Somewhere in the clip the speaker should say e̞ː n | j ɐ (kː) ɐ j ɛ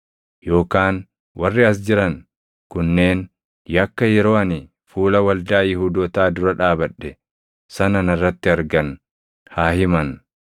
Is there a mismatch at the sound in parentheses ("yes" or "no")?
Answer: no